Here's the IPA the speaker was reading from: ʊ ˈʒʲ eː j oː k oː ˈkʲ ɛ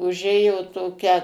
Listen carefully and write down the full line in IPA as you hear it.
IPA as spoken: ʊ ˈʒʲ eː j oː t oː ˈkʲ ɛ